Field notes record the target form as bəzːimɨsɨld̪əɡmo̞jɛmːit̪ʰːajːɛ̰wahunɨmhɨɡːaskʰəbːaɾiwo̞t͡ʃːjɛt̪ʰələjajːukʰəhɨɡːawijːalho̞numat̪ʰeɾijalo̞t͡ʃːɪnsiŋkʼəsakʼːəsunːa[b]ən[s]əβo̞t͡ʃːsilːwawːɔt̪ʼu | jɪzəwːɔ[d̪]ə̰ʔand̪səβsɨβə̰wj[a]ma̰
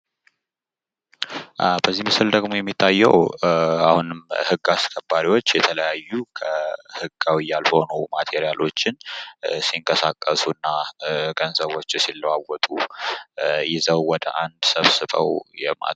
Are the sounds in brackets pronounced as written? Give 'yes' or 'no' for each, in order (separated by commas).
no, no, yes, no